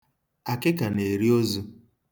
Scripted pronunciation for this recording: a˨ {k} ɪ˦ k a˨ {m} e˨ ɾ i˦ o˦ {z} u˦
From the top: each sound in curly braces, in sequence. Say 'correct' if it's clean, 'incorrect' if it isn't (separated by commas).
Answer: correct, incorrect, correct